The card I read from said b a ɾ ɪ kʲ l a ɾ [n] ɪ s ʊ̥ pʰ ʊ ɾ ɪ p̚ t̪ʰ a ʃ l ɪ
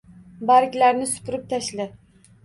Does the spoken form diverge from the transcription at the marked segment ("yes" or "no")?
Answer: no